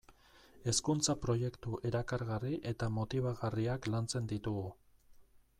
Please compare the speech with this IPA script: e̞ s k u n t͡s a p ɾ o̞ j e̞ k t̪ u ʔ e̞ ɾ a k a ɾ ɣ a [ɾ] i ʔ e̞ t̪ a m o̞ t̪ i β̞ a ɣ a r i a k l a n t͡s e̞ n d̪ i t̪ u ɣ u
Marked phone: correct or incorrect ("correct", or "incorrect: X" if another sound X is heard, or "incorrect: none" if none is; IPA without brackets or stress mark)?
incorrect: r